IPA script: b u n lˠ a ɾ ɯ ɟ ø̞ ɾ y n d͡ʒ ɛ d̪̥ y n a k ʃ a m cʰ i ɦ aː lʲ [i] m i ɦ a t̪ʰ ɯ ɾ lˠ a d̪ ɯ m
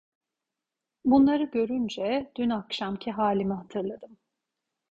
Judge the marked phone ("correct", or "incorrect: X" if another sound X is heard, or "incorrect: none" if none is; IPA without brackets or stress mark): correct